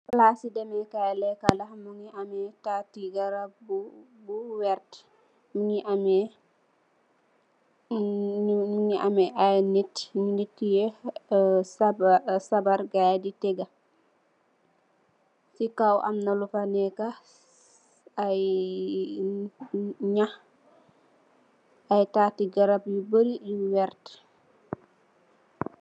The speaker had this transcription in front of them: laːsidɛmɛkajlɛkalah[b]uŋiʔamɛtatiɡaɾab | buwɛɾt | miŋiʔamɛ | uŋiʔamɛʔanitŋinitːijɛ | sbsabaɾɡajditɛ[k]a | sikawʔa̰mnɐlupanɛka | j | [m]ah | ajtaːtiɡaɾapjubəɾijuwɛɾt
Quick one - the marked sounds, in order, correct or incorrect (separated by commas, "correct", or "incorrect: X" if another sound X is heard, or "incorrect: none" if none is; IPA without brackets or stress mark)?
incorrect: m, incorrect: ɡ, incorrect: ɲ